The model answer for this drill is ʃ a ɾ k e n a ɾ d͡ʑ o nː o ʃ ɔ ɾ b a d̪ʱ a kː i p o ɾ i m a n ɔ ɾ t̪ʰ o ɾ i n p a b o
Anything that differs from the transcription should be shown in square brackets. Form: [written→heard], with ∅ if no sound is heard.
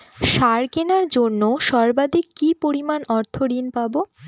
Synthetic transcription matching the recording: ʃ a ɾ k e n a ɾ d͡ʑ o nː o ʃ ɔ ɾ b a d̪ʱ [a→i] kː i p o ɾ i m a n ɔ ɾ t̪ʰ o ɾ i n p a b o